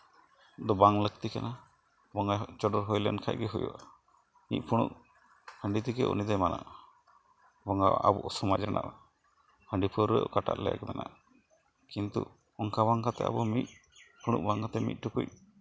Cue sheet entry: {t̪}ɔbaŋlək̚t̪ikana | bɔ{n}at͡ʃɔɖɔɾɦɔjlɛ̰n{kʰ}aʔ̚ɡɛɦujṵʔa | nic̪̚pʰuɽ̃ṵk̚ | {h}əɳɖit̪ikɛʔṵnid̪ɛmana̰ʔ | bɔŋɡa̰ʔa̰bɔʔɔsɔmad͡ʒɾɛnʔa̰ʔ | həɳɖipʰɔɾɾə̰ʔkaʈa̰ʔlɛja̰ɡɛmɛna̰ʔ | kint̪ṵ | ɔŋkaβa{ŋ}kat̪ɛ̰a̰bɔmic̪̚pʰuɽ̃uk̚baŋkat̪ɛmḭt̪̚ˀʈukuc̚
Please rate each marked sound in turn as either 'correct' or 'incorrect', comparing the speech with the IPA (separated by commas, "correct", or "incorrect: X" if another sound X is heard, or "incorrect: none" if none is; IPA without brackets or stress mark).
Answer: incorrect: d̪, incorrect: ŋ, correct, correct, correct